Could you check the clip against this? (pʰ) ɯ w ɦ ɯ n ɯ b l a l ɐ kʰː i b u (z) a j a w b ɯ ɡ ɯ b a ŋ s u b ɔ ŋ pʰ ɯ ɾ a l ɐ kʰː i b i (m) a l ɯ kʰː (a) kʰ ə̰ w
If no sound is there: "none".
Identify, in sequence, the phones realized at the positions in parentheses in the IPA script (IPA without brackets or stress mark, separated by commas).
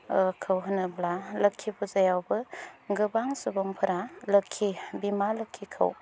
kʰ, z, m, i